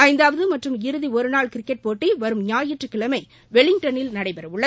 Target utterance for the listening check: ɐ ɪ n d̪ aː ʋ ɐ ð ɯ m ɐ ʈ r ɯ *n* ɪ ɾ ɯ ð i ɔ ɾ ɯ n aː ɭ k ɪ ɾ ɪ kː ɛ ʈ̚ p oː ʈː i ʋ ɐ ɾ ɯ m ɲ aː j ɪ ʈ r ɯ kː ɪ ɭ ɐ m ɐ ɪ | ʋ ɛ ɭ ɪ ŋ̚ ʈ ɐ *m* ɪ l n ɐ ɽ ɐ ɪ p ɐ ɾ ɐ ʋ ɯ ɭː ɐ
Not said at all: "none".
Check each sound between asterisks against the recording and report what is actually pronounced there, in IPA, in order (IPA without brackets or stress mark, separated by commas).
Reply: m, n